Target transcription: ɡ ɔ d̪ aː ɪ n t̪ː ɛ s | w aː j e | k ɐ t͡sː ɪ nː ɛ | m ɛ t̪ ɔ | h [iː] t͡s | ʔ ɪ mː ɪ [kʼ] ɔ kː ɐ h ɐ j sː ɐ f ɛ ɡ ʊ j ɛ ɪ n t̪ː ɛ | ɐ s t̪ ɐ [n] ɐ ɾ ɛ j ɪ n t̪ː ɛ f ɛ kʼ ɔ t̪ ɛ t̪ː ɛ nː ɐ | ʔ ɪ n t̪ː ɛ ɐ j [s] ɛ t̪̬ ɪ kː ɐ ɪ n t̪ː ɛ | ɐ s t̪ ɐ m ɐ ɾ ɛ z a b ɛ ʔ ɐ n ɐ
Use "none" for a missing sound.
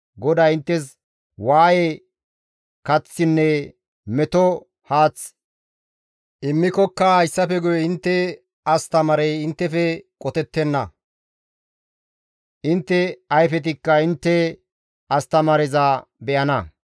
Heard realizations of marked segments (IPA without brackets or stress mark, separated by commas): aː, k, m, f